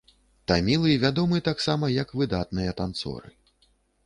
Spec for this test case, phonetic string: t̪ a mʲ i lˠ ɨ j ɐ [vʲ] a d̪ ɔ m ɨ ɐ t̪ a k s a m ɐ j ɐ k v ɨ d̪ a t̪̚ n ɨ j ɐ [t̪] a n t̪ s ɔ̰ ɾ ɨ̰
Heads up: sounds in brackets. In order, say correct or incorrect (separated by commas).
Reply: correct, correct